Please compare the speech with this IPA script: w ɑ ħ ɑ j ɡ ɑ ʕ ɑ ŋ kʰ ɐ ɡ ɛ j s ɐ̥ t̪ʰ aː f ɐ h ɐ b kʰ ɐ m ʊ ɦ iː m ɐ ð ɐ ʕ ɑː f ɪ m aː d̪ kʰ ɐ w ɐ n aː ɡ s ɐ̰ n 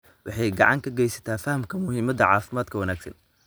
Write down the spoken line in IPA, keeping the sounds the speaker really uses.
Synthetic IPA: w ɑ ħ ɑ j ɡ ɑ ʕ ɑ ŋ kʰ ɐ ɡ ɛ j s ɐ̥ t̪ʰ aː f ɐ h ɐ m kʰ ɐ m ʊ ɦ iː m ɐ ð ɐ ʕ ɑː f ɪ m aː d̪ kʰ ɐ w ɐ n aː ɡ s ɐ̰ n